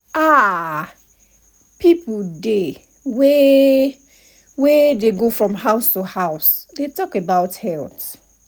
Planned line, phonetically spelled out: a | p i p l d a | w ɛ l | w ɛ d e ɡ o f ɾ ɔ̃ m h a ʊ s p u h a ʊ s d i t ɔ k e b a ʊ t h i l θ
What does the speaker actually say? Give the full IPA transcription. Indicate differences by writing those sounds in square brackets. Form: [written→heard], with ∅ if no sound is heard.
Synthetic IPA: a | p i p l d [a→e] | w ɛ [l→∅] | w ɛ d e ɡ o f [ɾ→ɹ] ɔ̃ m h a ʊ s [p→t] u h a ʊ s d [i→e] t ɔ k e b a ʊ t h [i→ɛ] l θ